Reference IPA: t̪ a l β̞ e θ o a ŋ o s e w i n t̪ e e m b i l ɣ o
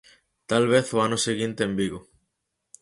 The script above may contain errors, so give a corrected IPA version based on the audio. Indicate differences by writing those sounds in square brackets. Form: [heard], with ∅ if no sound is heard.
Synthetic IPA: t̪ a l β̞ e θ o a [n] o s e [ɣ] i n t̪ e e m b i [∅] ɣ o